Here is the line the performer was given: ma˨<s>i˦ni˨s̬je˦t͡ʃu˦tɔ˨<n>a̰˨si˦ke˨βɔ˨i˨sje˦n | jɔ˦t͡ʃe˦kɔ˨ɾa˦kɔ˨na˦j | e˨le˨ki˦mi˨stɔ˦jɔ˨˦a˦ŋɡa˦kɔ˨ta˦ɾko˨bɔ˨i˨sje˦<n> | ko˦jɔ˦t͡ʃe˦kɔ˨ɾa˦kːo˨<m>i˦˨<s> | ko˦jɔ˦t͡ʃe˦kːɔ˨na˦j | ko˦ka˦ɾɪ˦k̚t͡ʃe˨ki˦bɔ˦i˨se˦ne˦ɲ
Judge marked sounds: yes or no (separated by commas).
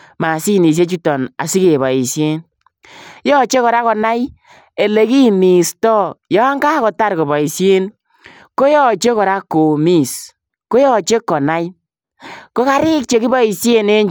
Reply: yes, yes, yes, yes, yes